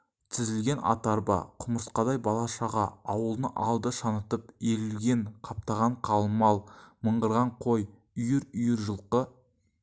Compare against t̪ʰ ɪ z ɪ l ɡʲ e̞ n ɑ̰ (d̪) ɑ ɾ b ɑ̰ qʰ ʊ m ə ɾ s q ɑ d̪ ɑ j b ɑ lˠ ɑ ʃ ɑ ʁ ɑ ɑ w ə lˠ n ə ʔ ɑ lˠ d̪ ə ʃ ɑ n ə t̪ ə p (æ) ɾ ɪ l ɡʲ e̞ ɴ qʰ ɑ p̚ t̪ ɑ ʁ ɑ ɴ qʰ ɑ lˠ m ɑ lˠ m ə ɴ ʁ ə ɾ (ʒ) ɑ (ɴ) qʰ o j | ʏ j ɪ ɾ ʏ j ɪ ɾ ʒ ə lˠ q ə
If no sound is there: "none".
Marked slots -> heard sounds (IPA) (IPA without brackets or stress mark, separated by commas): t̪, e, ʁ, ɴ